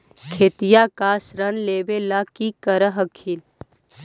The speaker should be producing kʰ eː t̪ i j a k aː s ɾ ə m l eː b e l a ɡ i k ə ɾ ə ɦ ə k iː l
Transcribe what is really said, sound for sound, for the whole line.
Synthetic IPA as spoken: kʰ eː t̪ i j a k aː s ɾ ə n l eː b e l a k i k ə ɾ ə ɦ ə kʰ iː l